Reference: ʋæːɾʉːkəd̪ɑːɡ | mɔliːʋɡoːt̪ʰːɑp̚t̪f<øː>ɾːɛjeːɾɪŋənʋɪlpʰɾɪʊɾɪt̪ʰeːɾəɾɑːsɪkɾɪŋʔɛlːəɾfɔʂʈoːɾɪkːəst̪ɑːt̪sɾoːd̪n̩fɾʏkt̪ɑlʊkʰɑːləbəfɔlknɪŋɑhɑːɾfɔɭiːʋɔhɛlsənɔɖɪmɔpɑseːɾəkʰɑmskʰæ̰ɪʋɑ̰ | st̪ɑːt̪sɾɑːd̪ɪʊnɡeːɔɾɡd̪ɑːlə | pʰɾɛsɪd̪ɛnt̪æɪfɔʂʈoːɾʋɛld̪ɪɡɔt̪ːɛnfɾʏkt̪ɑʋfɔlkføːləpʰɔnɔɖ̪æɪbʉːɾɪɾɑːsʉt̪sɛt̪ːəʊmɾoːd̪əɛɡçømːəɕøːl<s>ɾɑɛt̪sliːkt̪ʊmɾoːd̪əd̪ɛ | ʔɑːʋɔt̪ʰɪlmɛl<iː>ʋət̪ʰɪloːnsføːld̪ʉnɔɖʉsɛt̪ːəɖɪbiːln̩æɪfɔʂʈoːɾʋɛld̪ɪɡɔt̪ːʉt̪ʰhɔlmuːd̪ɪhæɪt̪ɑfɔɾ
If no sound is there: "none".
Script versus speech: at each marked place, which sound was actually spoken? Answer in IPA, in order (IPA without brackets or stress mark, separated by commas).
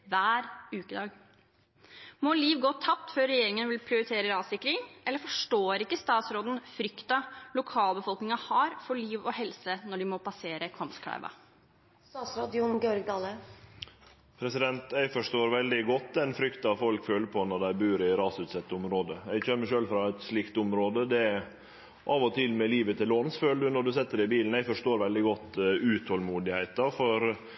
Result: øː, f, iː